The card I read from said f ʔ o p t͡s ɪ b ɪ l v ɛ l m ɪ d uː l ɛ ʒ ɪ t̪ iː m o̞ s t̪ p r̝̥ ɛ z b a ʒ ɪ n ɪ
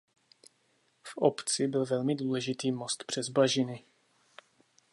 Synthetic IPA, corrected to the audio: f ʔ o p t͡s ɪ b ɪ l v ɛ l m ɪ d uː l ɛ ʒ ɪ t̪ iː m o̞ s t̪ p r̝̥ ɛ z b a ʒ ɪ n ɪ